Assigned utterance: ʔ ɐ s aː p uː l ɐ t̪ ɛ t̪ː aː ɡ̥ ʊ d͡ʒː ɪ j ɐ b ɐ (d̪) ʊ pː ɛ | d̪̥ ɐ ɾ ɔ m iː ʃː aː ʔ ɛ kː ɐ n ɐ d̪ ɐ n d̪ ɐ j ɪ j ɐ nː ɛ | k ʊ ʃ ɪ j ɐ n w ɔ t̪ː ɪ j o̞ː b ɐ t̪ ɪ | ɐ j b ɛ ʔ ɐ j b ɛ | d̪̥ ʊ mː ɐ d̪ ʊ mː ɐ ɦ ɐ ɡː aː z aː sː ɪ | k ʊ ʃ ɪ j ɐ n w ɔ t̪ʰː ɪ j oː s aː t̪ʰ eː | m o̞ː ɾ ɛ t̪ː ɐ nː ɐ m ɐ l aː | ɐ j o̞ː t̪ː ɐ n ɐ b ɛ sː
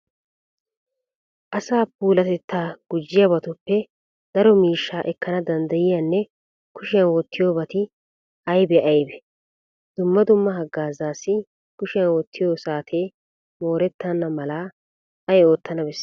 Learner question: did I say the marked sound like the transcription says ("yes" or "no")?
no